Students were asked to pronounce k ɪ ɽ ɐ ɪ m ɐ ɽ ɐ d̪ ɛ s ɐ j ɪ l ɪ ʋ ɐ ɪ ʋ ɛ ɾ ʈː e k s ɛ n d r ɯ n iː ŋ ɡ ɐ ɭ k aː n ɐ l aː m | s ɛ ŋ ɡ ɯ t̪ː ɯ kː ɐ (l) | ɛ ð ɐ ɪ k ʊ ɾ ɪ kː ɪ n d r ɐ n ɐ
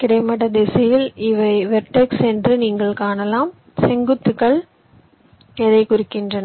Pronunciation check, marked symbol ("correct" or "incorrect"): incorrect